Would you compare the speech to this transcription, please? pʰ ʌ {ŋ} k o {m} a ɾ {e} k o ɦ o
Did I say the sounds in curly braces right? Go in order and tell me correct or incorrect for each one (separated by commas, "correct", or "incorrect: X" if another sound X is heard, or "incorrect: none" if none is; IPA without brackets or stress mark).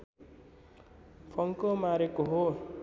correct, correct, correct